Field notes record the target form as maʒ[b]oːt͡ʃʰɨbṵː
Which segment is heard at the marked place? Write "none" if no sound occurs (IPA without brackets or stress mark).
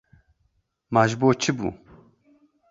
b